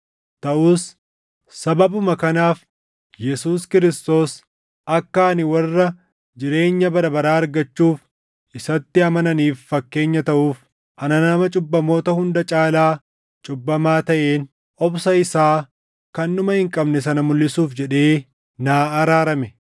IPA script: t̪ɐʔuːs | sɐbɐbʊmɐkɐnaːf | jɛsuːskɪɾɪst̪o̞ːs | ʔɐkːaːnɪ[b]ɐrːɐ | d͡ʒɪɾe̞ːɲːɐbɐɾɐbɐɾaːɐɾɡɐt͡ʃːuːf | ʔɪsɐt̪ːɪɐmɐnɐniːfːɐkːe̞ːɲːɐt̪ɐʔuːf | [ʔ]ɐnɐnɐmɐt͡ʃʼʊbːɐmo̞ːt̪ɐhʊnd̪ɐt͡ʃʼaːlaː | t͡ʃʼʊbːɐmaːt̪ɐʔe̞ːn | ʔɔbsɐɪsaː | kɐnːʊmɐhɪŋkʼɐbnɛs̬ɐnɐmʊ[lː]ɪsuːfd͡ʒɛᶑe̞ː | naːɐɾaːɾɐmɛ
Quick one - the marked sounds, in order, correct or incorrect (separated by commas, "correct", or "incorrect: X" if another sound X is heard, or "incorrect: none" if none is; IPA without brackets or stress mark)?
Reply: incorrect: w, correct, correct